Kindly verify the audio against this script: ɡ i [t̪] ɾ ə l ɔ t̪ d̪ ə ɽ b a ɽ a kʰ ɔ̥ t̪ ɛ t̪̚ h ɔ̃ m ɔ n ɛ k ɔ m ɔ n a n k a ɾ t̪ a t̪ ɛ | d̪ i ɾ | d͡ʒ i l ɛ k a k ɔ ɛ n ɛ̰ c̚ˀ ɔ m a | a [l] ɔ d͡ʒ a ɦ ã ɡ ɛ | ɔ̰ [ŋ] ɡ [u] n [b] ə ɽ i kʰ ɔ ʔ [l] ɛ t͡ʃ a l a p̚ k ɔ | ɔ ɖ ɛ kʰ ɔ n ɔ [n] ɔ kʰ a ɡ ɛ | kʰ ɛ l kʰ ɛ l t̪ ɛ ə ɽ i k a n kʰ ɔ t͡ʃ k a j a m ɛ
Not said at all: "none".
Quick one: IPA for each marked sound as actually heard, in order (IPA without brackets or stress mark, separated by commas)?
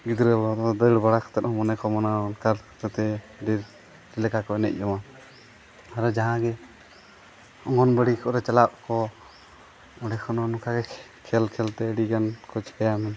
d̪, ɾ, ŋ, ɔ, b, ɾ, n